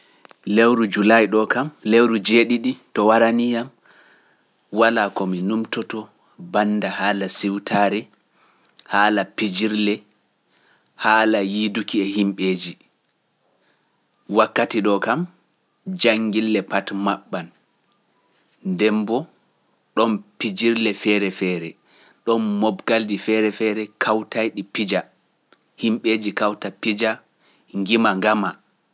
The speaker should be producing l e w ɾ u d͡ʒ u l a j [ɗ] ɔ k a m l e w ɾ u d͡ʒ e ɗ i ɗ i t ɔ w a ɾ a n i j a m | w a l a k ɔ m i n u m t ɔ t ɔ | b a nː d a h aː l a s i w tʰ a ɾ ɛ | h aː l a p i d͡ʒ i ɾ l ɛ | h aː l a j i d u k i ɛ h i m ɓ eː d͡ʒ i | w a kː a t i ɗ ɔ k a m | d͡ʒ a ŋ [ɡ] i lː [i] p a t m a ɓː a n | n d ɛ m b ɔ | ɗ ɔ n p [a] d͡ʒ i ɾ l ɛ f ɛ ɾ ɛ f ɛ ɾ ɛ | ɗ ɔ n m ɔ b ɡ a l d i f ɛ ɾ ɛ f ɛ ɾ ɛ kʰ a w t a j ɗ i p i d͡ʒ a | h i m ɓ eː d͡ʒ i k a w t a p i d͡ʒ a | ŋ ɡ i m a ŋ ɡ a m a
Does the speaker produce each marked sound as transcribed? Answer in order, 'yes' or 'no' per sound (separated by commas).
yes, yes, no, no